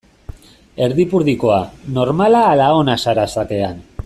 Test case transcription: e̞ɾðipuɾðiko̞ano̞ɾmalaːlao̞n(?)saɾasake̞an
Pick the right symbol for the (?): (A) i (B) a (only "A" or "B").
B